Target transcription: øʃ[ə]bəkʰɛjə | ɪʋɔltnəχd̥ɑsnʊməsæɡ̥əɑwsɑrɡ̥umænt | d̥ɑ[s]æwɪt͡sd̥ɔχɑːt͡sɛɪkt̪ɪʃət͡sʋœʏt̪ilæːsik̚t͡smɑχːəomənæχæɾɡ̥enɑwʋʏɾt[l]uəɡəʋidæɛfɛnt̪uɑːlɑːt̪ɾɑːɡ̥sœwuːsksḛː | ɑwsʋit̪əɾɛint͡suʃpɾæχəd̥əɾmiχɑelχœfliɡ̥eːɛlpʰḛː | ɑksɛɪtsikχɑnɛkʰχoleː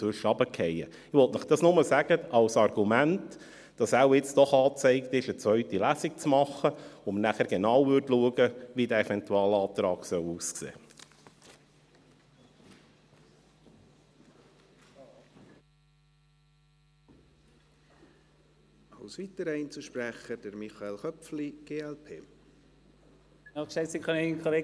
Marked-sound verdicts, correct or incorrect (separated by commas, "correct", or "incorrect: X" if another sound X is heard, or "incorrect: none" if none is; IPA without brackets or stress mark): incorrect: ɑ, correct, correct